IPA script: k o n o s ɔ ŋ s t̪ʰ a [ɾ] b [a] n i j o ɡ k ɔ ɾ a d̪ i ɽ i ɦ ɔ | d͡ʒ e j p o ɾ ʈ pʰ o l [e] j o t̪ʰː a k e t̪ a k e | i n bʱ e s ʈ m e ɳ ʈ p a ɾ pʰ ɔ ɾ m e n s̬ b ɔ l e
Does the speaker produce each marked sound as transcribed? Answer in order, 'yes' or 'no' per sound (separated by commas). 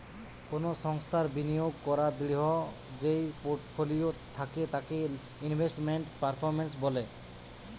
yes, no, no